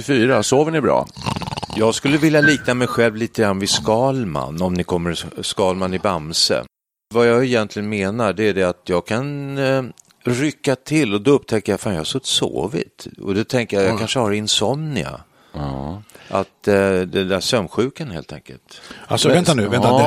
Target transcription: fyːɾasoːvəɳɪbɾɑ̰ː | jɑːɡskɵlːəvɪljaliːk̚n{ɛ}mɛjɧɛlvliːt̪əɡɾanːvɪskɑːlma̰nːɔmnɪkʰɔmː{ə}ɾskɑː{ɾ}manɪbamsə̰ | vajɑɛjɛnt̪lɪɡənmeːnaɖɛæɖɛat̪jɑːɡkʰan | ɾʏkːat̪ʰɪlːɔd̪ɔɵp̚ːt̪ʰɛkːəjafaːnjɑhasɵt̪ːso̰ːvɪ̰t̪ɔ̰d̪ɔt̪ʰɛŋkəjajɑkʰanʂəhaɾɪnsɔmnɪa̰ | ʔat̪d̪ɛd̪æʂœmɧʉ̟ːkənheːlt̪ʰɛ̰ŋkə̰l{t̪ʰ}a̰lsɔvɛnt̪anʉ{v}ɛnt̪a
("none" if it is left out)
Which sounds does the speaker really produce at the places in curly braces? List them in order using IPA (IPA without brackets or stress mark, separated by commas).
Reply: a, ə, l, t̪, v